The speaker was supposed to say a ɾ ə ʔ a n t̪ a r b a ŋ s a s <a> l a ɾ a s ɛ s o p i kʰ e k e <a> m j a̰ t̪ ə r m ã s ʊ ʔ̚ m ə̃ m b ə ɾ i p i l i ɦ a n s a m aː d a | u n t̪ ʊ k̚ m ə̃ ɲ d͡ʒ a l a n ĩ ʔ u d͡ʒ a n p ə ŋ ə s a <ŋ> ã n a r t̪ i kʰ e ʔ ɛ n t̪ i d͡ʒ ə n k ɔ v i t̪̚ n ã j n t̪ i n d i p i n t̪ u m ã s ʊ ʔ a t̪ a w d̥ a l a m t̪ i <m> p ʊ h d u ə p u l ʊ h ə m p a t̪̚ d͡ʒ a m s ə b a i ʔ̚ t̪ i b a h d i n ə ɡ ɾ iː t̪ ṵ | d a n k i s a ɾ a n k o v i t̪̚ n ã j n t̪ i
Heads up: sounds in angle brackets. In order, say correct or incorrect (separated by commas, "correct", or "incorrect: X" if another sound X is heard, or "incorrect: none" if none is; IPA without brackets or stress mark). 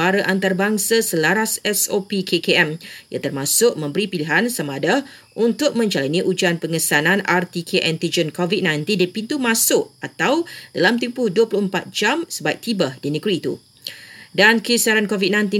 incorrect: ə, incorrect: ɛ, incorrect: n, correct